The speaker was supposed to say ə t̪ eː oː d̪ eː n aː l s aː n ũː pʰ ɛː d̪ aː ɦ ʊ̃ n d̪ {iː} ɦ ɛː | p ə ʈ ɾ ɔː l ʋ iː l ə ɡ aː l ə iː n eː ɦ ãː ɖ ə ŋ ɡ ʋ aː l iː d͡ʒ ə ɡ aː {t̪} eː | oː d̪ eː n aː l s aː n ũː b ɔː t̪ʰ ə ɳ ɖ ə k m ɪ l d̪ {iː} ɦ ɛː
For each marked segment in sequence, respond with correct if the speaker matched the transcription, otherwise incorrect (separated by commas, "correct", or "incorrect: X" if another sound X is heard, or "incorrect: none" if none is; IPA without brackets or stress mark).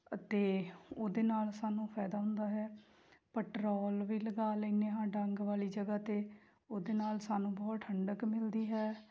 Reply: incorrect: aː, correct, correct